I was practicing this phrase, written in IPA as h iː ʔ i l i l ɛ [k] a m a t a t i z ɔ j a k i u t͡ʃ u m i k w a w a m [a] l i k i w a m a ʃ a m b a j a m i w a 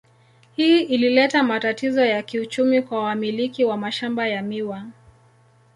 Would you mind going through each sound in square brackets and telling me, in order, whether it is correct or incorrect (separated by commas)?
incorrect, incorrect